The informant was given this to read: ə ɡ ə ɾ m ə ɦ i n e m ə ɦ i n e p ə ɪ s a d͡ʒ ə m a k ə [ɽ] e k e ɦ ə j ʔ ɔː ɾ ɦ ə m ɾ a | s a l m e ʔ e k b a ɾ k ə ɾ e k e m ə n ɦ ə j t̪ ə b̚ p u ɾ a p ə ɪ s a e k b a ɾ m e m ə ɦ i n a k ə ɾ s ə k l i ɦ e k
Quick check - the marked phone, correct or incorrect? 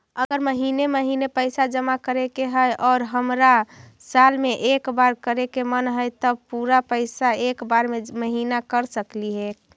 incorrect